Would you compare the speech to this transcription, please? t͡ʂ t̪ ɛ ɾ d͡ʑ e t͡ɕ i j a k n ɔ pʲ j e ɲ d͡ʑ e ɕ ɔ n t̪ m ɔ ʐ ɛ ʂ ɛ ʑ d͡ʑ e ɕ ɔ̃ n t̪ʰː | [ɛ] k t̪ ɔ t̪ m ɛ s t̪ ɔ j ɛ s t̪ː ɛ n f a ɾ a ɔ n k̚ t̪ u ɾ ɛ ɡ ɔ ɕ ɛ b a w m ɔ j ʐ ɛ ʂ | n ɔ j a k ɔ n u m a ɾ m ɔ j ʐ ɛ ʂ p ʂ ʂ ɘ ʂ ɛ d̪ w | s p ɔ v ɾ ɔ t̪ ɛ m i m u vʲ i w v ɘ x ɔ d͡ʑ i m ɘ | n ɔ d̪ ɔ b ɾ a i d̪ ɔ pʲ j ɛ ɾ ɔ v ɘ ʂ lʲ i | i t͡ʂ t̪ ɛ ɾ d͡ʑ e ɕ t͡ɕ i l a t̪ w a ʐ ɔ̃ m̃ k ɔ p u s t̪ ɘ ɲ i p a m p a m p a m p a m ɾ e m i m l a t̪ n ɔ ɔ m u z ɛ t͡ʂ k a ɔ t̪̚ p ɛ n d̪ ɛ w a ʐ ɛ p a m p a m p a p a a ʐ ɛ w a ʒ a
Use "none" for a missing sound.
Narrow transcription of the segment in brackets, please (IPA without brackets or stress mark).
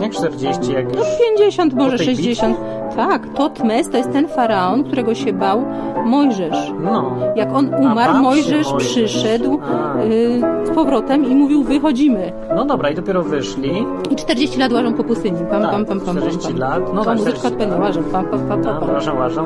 a